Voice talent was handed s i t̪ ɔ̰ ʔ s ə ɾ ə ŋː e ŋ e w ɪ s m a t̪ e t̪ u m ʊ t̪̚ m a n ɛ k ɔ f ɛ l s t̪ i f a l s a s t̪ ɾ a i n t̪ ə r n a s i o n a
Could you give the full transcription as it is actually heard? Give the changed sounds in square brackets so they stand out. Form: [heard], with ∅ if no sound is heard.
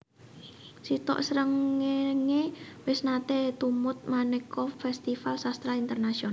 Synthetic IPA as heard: s i t̪ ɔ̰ ʔ s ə ɾ ə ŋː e ŋ e w ɪ s [n] a t̪ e t̪ u m ʊ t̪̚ m a n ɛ k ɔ f ɛ [∅] s t̪ i f a l s a s t̪ ɾ a i n t̪ ə r n a s i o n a

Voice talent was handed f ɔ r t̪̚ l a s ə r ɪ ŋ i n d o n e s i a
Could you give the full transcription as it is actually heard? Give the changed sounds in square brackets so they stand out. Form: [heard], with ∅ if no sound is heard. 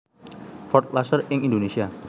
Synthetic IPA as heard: f ɔ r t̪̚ l a s ə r ɪ ŋ i n d o n e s i a

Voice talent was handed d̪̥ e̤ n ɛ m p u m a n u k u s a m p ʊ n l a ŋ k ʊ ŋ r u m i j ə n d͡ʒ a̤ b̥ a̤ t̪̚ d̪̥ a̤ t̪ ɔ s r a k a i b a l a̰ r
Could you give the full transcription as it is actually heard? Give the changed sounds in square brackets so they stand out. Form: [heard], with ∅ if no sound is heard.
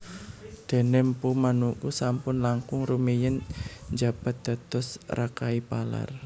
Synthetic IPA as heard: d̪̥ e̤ n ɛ m p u m a n u k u s a m p ʊ n l a ŋ k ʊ ŋ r u m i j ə n d͡ʒ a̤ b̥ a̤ t̪̚ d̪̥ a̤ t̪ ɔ s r a k a i [p] a l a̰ r

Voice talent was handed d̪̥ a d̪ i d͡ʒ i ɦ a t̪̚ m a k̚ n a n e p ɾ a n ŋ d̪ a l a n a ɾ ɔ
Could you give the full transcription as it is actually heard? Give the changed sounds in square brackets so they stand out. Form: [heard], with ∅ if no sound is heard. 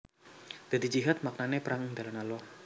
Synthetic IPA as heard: d̪̥ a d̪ i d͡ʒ i ɦ a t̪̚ m a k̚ n a n e p ɾ a [ŋ] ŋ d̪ a l a n a [l] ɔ

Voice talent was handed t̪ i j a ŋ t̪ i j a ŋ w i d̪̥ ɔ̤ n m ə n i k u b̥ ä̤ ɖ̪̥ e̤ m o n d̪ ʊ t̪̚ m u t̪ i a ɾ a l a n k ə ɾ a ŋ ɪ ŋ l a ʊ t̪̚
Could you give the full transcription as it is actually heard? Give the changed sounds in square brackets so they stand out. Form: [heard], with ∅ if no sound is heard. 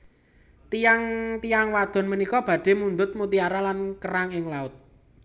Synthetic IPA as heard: t̪ i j a ŋ t̪ i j a ŋ w [a] d̪̥ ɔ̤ n m ə n i k [ɔ] b̥ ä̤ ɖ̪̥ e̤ m [u] n d̪ ʊ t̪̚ m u t̪ i a ɾ a l a n k ə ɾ a ŋ ɪ ŋ l a ʊ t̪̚

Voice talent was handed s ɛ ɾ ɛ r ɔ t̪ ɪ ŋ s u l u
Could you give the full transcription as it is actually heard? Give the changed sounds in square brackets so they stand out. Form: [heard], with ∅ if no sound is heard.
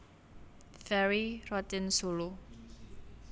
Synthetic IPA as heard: [f] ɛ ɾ [i] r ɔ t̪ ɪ [n] s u l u

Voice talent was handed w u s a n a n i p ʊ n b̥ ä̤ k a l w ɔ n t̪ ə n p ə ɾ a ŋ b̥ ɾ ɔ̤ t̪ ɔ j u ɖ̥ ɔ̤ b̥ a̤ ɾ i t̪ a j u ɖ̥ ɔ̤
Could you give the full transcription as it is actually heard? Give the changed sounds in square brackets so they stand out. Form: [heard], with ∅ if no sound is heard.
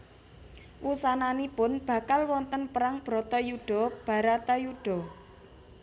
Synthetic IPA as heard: w u s a n a n i p ʊ n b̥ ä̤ k a l w ɔ n t̪ ə n p ə ɾ a ŋ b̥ ɾ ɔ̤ t̪ ɔ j u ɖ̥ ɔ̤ b̥ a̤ ɾ [a] t̪ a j u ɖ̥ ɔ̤

